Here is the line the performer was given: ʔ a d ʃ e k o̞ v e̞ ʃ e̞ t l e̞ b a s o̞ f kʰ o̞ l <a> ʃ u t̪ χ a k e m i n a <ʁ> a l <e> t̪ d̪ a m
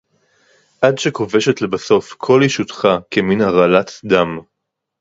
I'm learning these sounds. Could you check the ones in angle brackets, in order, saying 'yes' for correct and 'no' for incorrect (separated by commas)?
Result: no, yes, no